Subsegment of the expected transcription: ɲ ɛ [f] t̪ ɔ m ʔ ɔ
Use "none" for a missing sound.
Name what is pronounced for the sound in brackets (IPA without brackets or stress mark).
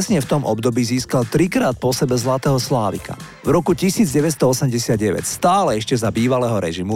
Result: f